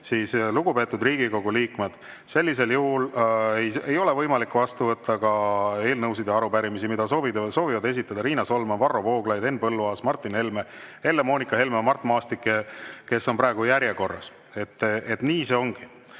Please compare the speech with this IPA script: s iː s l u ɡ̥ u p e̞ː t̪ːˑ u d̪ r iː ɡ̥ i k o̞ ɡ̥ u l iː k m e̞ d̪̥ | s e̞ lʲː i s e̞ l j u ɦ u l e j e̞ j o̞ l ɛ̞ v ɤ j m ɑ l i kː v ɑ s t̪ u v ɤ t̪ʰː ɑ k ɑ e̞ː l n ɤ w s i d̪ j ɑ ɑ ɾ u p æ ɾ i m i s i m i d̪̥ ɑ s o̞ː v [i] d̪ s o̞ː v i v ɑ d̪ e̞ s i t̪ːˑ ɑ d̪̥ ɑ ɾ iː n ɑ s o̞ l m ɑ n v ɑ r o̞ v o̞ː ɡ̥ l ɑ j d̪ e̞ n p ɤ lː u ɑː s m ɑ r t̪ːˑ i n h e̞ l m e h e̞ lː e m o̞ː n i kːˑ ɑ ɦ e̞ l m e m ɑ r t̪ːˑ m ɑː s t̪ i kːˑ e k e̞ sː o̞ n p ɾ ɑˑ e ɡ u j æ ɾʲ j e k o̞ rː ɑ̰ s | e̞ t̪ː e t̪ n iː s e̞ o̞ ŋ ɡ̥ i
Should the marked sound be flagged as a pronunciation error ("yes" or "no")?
no